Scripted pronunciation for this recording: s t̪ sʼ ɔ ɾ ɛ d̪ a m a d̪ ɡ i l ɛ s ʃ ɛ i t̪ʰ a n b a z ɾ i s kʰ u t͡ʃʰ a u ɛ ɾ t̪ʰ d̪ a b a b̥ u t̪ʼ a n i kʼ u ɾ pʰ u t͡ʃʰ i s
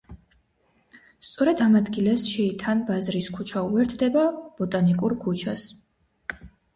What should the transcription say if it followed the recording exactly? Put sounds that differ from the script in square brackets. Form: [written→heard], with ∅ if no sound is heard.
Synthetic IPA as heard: s t̪ sʼ ɔ ɾ ɛ d̪ a m a d̪ ɡ i l ɛ s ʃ ɛ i t̪ʰ a n b a z ɾ i s kʰ u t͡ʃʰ a u ɛ ɾ t̪ʰ d̪ [a→ɛ] b a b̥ [u→ɔ] t̪ʼ a n i kʼ u ɾ [pʰ→kʰ] u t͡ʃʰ [i→a] s